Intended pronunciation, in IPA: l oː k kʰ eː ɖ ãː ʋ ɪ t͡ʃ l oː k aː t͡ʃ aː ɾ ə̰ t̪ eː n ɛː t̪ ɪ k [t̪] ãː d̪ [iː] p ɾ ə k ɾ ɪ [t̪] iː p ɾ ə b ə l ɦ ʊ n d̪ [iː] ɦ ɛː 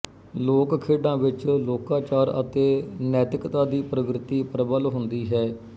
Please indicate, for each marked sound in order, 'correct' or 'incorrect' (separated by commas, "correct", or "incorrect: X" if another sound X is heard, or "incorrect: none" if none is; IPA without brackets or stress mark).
correct, correct, correct, correct